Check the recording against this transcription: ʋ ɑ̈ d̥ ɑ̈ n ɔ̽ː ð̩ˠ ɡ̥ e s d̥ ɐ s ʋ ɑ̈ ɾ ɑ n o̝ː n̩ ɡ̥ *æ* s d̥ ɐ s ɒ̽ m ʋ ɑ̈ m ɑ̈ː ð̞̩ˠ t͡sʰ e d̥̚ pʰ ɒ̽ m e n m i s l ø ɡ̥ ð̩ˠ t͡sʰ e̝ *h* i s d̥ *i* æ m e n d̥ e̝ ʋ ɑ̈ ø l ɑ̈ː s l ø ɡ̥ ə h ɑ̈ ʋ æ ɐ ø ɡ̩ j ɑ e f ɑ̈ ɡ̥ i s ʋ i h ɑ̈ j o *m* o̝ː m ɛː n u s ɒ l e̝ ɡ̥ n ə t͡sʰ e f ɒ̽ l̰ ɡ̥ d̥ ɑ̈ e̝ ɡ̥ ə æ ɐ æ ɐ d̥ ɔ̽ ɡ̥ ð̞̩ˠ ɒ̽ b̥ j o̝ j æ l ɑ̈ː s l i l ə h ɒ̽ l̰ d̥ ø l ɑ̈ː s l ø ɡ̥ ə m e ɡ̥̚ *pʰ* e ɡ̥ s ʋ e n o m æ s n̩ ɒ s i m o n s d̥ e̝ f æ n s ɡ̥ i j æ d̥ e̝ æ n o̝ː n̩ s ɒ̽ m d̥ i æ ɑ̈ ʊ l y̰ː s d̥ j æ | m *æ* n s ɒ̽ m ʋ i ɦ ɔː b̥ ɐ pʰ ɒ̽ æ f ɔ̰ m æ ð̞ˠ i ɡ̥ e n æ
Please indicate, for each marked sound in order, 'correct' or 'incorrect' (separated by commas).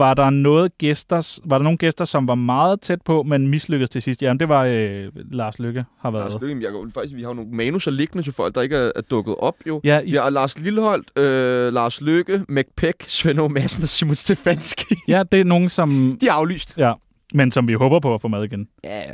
incorrect, incorrect, incorrect, incorrect, correct, incorrect